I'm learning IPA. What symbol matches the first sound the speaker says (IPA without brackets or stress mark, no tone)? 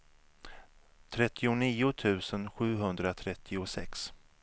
t̪ʰ